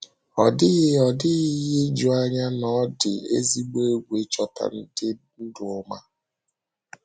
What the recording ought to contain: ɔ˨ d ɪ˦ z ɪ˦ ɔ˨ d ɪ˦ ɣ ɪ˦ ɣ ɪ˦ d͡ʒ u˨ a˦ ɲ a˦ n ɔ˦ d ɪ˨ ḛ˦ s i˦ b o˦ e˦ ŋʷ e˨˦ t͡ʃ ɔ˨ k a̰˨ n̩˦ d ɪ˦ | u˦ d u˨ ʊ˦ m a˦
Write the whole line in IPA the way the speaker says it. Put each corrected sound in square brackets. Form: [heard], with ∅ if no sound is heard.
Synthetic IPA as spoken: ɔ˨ d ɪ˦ [ɣ] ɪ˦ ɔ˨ d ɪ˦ ɣ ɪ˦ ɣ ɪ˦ d͡ʒ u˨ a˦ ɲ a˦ n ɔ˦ d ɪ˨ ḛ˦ [z] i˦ [ɡ͡b] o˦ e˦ [ɡʷ] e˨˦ t͡ʃ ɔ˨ [t] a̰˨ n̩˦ d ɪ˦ | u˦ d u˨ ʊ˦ m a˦